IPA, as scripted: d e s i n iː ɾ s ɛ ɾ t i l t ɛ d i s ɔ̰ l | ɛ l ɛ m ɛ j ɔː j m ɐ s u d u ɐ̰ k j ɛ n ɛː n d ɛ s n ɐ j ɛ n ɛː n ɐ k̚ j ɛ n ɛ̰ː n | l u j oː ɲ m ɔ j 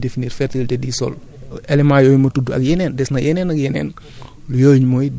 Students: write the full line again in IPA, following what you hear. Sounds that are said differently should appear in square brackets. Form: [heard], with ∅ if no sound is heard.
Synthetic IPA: d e [f] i n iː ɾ [f] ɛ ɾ t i l t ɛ d i s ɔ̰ l | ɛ l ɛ m [a] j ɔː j m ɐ [t] u d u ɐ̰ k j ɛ n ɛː n d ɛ s n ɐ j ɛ n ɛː n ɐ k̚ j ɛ n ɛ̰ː n | l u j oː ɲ m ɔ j